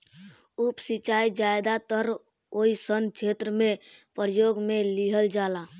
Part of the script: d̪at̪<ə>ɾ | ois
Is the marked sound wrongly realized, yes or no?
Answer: no